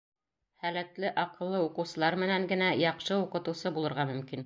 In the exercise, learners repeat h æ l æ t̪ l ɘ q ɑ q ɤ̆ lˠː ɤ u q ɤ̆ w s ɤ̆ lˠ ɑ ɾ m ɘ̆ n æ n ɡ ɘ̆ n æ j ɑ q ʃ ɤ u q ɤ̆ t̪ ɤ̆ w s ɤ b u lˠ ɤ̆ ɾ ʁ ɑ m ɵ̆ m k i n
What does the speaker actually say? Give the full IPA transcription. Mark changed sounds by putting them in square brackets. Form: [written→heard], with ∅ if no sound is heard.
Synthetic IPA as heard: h æ l æ t̪ l ɘ [q→ʔ] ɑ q ɤ̆ lˠː ɤ u q ɤ̆ w s ɤ̆ lˠ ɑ ɾ m ɘ̆ n æ [n→ŋ] ɡ ɘ̆ n æ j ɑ q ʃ ɤ u q ɤ̆ t̪ ɤ̆ w s ɤ b u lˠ ɤ̆ ɾ ʁ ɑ m ɵ̆ m k i n